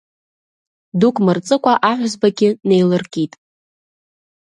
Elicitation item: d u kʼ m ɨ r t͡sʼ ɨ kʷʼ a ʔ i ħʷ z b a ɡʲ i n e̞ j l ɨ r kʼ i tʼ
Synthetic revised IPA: d u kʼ m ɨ r t͡sʼ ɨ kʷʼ a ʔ a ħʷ z b a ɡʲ ɪ n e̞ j l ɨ r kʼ i tʼ